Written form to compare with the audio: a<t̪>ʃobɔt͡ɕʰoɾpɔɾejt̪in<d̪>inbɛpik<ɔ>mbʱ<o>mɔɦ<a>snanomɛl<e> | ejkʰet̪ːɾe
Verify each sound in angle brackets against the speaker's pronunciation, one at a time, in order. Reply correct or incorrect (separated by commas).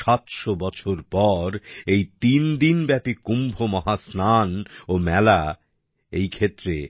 correct, correct, incorrect, correct, correct, incorrect